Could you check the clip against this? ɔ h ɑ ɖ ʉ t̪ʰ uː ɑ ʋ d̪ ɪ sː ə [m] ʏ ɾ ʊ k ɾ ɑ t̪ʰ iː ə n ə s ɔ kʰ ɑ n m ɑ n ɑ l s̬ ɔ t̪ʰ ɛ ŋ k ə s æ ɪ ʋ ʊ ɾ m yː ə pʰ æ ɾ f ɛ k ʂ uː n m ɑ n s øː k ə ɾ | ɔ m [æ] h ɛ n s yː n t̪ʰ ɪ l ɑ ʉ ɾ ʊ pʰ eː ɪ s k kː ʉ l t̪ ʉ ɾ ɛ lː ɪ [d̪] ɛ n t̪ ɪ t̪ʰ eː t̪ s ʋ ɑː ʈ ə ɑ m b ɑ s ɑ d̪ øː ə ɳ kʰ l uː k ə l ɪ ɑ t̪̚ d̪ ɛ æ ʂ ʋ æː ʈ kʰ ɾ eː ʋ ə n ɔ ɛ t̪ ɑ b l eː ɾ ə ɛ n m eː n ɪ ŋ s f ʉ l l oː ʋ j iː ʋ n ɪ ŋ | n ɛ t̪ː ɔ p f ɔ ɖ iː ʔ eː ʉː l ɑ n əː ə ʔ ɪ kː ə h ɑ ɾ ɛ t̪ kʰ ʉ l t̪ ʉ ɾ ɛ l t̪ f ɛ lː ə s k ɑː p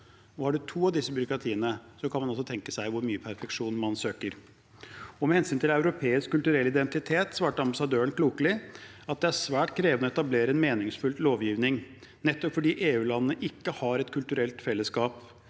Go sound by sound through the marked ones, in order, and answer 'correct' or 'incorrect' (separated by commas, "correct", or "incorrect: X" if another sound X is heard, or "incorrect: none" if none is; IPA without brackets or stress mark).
incorrect: b, incorrect: ɛ, correct